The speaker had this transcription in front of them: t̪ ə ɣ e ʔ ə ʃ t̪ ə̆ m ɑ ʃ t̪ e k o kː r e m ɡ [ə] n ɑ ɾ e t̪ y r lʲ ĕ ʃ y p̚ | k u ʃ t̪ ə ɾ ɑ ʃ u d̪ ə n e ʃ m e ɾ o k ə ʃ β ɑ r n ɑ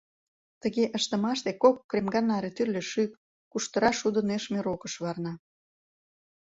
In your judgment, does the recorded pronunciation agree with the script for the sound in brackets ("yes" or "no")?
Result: no